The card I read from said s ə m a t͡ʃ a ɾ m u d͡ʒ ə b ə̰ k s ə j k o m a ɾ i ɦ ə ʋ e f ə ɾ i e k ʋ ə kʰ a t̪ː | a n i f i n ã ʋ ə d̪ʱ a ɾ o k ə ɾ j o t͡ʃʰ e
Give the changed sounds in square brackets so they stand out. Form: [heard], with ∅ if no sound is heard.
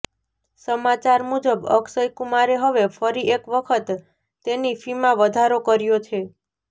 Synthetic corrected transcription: s ə m a t͡ʃ a ɾ m u d͡ʒ ə b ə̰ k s ə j k [u] m a ɾ [e] ɦ ə ʋ e f ə ɾ i e k ʋ ə kʰ [ə] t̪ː | [e] n i f i [m] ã ʋ ə d̪ʱ a ɾ o k ə ɾ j o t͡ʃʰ e